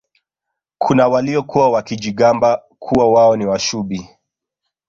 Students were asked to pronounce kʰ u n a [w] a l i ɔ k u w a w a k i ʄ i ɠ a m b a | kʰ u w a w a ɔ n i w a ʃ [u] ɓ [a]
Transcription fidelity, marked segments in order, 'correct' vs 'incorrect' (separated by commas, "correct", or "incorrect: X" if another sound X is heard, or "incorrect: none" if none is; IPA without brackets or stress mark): correct, correct, incorrect: i